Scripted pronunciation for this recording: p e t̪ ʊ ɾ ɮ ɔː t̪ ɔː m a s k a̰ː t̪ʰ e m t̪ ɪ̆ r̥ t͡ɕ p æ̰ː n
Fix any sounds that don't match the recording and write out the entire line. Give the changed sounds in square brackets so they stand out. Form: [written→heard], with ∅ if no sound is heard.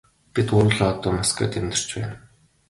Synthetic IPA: p [e→i] t̪ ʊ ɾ ɮ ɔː t̪ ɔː m a s k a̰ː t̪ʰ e m t̪ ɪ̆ r̥ t͡ɕ p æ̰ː n